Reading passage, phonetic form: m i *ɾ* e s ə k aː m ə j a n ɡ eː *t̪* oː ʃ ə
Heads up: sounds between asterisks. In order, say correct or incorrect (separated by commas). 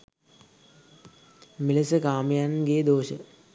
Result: incorrect, incorrect